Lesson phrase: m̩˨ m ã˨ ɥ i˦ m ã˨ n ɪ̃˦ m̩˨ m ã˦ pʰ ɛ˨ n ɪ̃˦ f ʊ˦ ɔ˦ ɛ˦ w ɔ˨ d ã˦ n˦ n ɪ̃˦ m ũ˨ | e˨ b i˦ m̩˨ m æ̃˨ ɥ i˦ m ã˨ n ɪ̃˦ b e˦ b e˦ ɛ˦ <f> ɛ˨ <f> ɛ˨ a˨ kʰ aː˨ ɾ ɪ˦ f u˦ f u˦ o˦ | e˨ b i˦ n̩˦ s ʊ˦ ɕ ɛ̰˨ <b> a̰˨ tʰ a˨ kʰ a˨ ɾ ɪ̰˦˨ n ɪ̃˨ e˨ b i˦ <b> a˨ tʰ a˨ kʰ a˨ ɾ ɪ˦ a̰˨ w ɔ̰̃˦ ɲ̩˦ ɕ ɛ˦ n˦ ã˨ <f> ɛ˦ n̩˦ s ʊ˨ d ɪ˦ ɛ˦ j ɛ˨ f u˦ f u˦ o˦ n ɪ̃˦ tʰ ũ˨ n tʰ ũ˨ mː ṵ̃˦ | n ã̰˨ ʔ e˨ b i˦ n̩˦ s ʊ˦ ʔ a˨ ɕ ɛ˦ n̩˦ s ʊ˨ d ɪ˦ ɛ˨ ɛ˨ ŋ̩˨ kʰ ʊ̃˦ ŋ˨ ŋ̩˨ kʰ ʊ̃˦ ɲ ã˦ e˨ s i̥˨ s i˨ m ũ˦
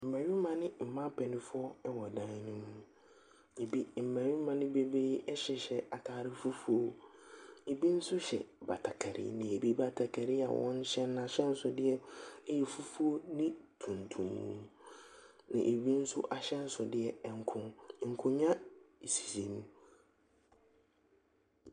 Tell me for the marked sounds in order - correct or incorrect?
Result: incorrect: ɕ, incorrect: ɕ, correct, correct, incorrect: ɕ

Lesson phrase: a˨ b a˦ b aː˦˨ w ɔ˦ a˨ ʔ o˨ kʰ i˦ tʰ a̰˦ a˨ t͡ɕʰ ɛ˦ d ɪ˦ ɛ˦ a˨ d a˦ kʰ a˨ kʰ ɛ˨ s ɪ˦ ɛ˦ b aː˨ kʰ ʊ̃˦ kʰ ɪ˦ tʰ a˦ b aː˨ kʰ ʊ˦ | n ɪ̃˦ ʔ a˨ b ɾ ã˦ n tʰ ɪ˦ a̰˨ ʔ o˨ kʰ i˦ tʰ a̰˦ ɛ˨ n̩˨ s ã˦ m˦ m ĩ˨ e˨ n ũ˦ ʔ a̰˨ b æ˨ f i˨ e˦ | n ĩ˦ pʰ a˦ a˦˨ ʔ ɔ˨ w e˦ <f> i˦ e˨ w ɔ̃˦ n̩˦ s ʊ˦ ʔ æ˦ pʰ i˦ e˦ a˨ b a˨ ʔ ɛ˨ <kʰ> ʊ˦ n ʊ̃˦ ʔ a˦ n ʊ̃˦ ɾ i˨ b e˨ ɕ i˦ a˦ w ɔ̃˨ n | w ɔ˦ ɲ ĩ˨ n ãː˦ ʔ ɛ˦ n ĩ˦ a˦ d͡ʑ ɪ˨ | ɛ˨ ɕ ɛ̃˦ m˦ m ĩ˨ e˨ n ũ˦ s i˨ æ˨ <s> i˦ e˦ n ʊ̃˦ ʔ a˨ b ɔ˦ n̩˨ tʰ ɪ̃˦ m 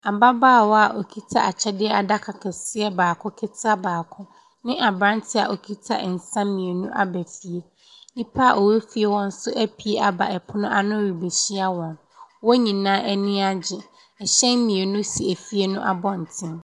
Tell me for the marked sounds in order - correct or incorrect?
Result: correct, incorrect: pʰ, incorrect: f

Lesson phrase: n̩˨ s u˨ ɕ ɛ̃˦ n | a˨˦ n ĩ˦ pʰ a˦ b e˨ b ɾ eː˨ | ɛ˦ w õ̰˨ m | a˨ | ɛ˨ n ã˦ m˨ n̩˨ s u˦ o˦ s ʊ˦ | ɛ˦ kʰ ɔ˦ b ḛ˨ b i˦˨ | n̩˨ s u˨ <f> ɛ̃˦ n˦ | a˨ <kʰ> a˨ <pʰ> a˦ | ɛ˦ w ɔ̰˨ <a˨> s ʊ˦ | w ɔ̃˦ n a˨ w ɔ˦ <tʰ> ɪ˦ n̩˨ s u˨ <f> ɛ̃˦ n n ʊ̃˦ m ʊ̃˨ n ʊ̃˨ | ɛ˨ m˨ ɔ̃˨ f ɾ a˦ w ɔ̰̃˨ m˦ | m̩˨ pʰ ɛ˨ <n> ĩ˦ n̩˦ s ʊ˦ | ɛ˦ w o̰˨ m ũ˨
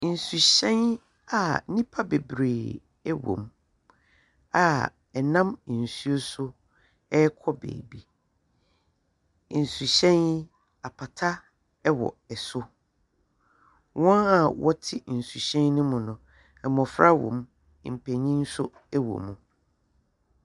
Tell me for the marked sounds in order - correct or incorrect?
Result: incorrect: ɕ, incorrect: pʰ, incorrect: tʰ, incorrect: ɛ˨, correct, incorrect: ɕ, incorrect: ɲ

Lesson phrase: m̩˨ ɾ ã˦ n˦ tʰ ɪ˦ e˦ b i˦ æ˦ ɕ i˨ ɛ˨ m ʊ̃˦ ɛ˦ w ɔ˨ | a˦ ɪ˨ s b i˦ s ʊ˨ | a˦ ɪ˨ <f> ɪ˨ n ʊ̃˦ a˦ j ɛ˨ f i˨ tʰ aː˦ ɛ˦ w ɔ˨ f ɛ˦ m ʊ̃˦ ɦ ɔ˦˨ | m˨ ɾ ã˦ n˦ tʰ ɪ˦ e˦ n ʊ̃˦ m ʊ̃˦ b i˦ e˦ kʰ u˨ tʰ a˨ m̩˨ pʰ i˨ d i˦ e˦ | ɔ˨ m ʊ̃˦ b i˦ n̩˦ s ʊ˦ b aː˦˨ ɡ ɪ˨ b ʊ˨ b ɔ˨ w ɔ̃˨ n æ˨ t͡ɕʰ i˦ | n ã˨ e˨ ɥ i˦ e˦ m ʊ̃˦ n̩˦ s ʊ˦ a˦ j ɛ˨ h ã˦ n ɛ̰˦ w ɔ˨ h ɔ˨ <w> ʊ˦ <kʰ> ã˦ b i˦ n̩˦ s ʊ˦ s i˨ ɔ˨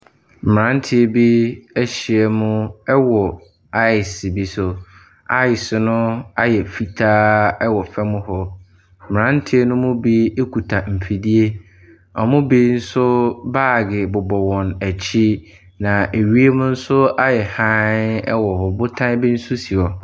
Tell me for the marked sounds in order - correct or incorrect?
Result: incorrect: s, incorrect: b, incorrect: tʰ

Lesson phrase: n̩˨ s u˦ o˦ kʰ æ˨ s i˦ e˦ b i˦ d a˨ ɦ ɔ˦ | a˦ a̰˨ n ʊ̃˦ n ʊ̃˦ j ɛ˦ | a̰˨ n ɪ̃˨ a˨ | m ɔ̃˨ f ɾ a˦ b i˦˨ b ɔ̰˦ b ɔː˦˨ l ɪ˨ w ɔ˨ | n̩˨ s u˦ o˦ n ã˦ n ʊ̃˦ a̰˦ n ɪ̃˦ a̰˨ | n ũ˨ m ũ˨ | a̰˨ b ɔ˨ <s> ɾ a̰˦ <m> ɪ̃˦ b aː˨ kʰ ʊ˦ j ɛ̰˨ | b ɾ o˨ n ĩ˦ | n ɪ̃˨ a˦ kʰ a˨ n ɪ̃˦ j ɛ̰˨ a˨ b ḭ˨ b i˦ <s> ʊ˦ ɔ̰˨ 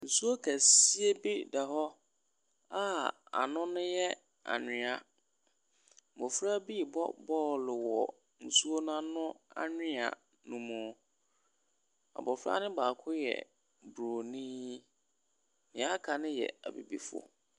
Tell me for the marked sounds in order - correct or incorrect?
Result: incorrect: f, incorrect: n, incorrect: f

